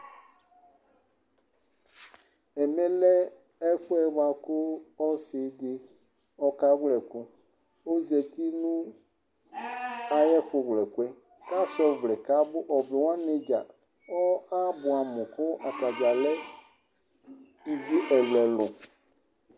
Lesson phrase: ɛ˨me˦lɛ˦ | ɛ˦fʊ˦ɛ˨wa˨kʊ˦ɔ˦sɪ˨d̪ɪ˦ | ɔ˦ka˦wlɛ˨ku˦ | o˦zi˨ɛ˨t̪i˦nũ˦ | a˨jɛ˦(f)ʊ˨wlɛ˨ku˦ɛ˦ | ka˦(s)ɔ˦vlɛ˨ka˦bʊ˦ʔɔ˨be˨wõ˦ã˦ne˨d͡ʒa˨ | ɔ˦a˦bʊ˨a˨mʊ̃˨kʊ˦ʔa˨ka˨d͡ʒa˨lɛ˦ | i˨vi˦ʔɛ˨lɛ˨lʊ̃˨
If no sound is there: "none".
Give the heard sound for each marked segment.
f, s

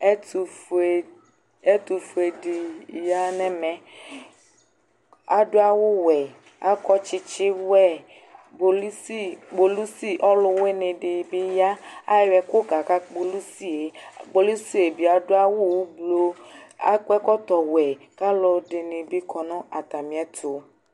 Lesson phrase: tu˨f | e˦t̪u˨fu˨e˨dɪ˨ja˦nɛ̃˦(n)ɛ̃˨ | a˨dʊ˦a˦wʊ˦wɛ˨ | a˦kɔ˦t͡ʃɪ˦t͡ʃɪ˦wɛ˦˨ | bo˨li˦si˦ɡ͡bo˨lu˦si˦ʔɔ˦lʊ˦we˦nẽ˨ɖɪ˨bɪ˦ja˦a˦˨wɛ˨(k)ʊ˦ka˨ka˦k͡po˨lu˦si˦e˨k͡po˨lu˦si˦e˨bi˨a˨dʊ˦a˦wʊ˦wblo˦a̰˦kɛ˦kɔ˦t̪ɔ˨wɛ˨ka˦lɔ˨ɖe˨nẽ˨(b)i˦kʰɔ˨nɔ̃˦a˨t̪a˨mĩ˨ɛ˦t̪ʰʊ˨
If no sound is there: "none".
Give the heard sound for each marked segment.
m, k, b

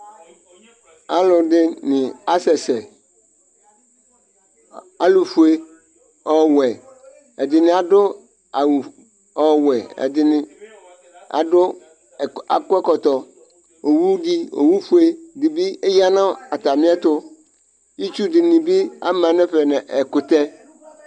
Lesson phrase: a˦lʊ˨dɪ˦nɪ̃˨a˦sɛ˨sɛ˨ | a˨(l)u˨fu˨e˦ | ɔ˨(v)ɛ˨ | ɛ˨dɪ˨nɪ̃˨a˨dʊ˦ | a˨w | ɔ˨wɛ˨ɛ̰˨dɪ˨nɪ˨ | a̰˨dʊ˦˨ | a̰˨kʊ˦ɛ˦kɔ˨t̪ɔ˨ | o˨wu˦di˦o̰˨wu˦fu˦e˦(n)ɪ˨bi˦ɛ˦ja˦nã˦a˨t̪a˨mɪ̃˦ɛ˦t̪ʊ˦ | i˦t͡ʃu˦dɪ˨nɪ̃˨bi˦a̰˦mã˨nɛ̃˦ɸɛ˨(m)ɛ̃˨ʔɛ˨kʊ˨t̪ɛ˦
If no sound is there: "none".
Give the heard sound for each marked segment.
l, w, d, n

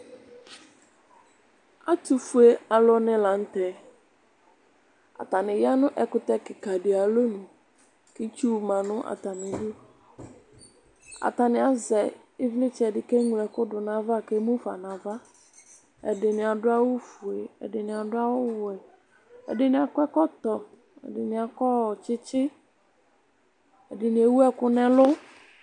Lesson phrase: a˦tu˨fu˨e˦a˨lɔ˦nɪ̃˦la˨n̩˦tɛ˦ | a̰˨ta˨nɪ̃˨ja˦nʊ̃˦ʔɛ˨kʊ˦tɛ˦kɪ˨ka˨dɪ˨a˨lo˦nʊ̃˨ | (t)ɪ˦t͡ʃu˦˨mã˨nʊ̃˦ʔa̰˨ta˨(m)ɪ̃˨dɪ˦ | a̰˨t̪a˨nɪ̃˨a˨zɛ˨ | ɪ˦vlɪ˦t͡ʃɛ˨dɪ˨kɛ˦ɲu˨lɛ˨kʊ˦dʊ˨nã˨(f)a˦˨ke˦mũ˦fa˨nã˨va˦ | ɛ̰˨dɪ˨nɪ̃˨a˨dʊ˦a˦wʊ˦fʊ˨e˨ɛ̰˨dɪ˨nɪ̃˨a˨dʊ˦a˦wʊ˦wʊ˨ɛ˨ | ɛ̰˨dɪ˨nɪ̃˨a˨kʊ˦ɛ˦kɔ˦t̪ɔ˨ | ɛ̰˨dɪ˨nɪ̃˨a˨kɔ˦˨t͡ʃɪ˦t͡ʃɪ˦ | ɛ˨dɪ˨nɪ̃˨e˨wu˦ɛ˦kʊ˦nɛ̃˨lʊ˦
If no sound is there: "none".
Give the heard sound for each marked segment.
k, n, v

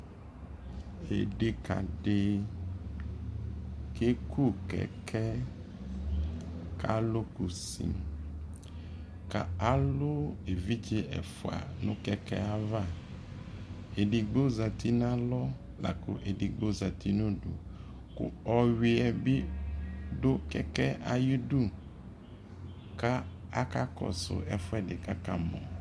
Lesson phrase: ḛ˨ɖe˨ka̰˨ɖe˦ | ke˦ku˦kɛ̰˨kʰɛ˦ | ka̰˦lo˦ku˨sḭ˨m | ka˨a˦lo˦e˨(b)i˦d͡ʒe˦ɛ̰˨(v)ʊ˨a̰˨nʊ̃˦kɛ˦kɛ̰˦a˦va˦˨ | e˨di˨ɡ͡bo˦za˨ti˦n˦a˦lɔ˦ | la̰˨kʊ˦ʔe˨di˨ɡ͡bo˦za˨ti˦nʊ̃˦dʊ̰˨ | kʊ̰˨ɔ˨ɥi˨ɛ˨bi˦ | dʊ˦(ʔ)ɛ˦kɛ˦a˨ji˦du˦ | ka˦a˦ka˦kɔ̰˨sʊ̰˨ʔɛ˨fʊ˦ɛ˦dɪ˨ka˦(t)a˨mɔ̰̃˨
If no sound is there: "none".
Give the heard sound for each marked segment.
v, f, k, k

